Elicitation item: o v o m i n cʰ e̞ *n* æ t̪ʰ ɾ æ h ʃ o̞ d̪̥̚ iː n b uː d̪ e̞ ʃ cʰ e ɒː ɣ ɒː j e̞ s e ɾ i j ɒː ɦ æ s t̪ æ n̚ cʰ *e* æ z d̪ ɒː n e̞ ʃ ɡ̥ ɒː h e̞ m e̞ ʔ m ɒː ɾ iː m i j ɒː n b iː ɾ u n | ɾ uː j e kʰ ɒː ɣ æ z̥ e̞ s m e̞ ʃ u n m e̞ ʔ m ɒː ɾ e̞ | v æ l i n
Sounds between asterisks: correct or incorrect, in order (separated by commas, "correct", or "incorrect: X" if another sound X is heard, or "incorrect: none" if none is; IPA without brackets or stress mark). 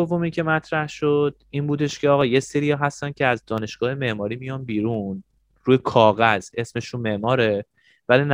incorrect: m, correct